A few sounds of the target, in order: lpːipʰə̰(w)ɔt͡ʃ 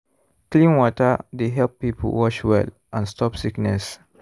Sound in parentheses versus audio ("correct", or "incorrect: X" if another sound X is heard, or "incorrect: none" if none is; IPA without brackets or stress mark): correct